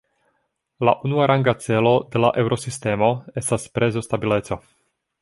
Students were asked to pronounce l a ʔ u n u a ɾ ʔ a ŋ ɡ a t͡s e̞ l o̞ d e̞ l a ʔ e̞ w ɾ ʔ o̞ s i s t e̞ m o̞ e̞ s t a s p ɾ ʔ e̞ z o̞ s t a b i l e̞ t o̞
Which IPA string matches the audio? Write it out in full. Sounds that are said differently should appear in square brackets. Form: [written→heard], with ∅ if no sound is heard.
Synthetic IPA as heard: l a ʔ u n u a ɾ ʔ a ŋ ɡ a t͡s e̞ l o̞ d e̞ l a ʔ e̞ w ɾ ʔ o̞ s i s t e̞ m o̞ e̞ s t a s p ɾ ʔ e̞ z o̞ s t a b i l e̞ [t→t͡s] o̞